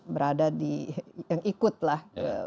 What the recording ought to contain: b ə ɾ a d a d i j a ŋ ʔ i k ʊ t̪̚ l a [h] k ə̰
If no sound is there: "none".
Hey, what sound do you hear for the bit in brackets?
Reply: h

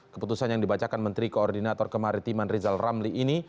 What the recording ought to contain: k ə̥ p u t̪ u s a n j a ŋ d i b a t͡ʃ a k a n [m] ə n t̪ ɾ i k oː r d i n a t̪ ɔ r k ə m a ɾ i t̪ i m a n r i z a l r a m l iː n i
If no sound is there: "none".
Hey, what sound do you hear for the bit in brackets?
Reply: m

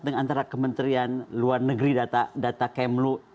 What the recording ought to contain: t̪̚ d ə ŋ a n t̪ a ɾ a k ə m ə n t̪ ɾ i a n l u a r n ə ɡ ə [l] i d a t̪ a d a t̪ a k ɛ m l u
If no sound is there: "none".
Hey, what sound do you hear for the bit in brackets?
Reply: ɾ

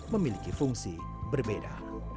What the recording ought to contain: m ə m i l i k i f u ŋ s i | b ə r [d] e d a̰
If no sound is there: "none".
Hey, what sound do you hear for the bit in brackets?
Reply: b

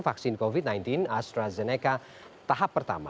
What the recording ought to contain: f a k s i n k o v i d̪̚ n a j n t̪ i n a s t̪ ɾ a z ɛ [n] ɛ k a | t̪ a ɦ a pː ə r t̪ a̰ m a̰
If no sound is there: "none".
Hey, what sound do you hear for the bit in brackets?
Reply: n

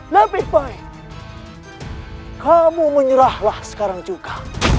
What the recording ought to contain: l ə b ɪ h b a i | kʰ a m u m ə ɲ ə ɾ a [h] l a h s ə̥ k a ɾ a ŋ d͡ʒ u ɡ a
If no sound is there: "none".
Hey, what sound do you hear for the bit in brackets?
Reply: h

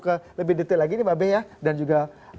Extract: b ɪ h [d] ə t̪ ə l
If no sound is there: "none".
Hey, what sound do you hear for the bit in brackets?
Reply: d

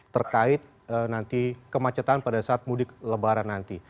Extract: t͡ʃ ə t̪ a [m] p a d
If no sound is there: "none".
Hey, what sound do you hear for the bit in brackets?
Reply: n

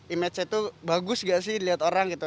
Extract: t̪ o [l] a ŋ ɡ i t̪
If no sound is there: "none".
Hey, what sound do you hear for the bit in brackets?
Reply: ɾ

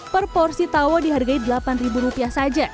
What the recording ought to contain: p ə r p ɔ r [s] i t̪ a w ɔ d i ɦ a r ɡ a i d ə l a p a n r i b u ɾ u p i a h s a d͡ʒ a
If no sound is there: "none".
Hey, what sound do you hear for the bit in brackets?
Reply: s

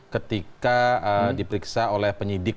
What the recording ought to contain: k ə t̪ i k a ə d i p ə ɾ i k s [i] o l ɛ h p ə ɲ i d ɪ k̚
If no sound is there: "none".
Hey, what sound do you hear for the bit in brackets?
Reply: a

